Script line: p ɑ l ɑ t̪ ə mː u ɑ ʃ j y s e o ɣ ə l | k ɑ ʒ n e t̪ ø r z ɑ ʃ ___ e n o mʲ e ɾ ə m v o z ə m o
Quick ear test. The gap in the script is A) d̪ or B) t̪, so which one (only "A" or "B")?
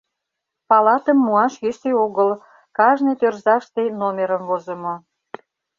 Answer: B